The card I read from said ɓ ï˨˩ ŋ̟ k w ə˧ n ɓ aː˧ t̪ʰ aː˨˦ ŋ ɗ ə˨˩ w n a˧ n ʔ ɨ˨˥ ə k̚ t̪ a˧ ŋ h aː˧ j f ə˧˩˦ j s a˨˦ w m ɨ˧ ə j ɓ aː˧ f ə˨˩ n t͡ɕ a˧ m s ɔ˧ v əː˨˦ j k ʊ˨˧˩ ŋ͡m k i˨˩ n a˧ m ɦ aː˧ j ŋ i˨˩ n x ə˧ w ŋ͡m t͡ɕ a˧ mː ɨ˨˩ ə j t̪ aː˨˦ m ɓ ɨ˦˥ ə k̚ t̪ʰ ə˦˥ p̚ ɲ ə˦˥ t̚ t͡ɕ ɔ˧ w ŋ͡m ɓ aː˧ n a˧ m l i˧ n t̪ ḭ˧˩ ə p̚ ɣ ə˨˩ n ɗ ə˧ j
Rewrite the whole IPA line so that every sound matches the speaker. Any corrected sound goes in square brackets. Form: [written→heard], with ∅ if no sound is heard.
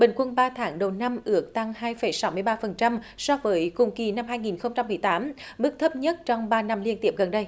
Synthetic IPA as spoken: ɓ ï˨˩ ŋ̟ k w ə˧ n ɓ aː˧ t̪ʰ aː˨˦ ŋ ɗ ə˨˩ w n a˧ [n→m] ʔ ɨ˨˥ ə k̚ t̪ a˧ ŋ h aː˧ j f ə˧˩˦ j s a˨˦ w m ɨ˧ ə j ɓ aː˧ f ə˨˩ n t͡ɕ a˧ m s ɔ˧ v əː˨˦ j k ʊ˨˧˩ ŋ͡m k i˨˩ n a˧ m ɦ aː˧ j ŋ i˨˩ n x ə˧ w ŋ͡m t͡ɕ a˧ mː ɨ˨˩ ə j t̪ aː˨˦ m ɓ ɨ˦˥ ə k̚ t̪ʰ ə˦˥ p̚ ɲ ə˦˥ t̚ t͡ɕ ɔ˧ w ŋ͡m ɓ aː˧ n a˧ m l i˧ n t̪ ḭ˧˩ ə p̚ ɣ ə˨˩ n ɗ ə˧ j